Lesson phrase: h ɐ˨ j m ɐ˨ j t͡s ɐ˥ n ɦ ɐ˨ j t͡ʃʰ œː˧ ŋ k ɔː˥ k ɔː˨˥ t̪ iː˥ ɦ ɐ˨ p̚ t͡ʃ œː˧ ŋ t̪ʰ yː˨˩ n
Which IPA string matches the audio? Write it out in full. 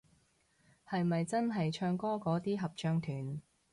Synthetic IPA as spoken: h ɐ˨ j m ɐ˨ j t͡s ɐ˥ n ɦ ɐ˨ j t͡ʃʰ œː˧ ŋ k ɔː˥ k ɔː˨˥ t̪ iː˥ ɦ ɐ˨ p̚ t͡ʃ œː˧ ŋ t̪ʰ yː˨˩ n